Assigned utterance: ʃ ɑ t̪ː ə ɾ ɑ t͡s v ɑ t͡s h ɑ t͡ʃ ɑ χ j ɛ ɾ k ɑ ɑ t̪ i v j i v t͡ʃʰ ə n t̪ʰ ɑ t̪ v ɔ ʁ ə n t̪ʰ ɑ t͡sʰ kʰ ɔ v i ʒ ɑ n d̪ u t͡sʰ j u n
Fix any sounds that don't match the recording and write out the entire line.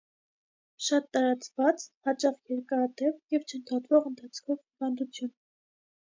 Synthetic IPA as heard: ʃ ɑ t̪ː ɑ ɾ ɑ t͡s v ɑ t͡s h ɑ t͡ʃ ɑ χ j ɛ ɾ k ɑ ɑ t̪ ɛ v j ɛ v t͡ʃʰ ə n t̪ʰ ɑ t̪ v ɔ ʁ ə n t̪ʰ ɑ t͡sʰ kʰ ɔ v i v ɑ n d̪ u t͡sʰ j u n